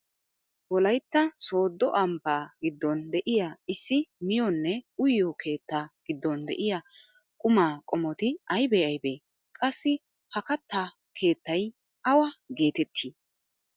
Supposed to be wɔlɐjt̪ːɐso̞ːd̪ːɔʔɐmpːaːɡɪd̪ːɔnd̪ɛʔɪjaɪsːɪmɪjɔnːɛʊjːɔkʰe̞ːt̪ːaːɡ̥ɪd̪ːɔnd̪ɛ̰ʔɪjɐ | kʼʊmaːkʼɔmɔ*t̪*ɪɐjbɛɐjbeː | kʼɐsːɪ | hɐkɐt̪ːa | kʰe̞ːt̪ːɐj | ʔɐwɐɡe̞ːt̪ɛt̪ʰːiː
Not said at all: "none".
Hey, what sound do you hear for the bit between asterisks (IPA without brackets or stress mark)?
t̪